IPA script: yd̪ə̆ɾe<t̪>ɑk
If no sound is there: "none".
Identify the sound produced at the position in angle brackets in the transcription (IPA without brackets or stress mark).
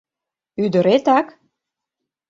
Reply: t̪